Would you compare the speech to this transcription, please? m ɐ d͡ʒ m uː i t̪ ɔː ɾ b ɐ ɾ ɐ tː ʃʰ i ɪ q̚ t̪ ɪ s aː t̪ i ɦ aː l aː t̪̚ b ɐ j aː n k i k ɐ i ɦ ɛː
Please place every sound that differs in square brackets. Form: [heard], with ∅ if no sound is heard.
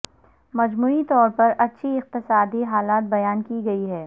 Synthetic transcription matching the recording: m ɐ d͡ʒ m uː i t̪ ɔː ɾ [p] ɐ ɾ ɐ tː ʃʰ i ɪ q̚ t̪ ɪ s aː [d̪] i ɦ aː l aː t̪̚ b ɐ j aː n k i [ɡ] ɐ i ɦ ɛː